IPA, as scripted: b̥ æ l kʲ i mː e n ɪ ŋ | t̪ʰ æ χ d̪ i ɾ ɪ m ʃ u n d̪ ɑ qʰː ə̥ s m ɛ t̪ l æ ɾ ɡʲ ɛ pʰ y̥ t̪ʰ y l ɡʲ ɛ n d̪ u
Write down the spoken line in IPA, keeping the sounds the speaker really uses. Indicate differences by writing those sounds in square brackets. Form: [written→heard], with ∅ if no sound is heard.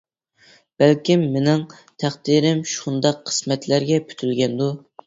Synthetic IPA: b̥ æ l kʲ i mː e n ɪ ŋ | t̪ʰ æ χ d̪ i ɾ ɪ m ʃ u n d̪ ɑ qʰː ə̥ s m ɛ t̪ l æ ɾ ɡʲ ɛ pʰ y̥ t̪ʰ y l ɡʲ ɛ n d̪ u